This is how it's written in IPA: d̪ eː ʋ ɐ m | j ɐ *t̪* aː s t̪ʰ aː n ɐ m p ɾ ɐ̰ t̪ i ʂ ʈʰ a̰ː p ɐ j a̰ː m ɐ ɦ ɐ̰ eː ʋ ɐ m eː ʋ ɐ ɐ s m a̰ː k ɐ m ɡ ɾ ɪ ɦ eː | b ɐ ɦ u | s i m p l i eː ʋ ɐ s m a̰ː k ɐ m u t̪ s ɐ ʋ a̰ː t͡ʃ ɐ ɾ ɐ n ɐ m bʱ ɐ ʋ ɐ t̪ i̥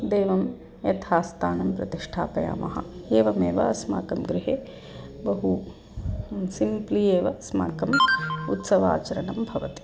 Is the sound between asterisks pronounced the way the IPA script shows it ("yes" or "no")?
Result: no